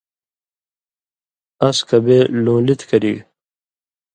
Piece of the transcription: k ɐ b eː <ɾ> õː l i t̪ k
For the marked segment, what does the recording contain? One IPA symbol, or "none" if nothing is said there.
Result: l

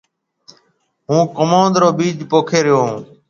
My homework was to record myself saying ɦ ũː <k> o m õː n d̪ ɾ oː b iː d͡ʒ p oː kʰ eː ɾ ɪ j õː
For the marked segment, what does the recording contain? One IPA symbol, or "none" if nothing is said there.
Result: k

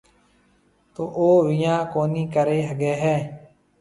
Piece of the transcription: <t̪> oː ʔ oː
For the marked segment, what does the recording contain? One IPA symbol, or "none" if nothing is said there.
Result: t̪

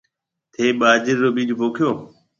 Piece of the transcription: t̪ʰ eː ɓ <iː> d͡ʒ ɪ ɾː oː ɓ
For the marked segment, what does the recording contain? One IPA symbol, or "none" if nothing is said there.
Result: aː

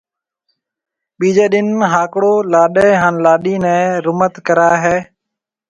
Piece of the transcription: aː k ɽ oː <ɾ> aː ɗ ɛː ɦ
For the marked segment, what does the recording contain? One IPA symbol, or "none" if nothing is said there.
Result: l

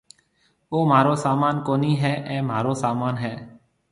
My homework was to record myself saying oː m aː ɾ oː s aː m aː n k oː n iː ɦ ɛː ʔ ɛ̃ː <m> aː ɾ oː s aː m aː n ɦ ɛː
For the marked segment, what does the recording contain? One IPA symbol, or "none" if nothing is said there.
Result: m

